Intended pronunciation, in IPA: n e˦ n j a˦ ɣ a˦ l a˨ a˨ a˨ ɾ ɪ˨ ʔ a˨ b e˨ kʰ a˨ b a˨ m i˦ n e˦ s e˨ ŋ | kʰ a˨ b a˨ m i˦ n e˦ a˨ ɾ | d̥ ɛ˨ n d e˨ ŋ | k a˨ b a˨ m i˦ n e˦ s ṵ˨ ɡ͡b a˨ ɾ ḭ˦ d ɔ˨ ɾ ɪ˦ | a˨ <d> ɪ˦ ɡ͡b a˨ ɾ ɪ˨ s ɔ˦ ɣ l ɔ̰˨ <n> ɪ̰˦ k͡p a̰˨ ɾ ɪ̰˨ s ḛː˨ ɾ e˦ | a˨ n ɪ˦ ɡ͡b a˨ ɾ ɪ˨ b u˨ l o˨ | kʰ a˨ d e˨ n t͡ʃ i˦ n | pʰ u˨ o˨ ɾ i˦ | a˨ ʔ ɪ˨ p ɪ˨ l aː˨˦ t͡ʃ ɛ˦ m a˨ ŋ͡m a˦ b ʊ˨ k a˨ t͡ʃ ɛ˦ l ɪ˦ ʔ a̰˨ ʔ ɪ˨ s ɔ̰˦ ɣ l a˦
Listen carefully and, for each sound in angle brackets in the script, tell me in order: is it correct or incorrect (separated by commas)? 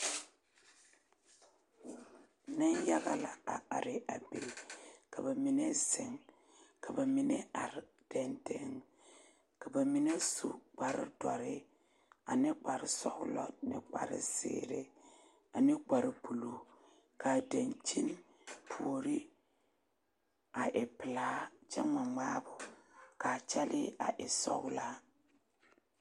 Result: incorrect, correct